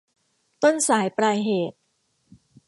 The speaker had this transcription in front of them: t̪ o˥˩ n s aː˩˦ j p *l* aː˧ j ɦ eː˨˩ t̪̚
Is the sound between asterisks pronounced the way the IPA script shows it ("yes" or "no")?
no